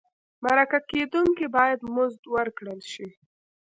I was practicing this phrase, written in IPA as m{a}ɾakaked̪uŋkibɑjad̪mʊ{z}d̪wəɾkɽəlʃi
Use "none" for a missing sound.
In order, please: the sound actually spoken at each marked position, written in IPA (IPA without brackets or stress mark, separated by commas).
a, z